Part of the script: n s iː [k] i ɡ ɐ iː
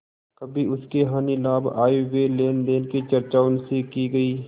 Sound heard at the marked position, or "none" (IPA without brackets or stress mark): k